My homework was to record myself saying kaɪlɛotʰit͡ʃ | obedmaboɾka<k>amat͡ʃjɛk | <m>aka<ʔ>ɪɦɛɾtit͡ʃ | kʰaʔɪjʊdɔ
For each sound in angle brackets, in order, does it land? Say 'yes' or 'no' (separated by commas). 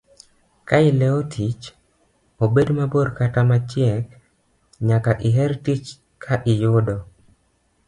no, no, yes